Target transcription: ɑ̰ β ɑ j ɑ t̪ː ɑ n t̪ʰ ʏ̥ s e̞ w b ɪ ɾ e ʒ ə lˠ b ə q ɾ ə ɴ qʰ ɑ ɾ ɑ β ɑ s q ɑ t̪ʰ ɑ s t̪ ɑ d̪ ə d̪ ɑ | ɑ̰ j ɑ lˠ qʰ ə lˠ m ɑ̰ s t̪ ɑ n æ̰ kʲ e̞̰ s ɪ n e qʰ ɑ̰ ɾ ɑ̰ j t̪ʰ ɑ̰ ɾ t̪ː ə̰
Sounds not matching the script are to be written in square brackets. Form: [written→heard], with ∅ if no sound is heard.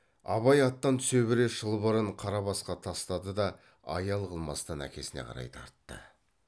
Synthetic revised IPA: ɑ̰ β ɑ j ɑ t̪ː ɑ n t̪ʰ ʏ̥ s e̞ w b ɪ ɾ e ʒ ə lˠ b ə [q→∅] ɾ ə ɴ qʰ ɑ ɾ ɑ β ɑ s q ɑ t̪ʰ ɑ s t̪ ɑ d̪ ə d̪ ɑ | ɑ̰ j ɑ lˠ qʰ ə lˠ m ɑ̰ s t̪ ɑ n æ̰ kʲ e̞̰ s ɪ n e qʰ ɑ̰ ɾ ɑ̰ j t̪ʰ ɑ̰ ɾ t̪ː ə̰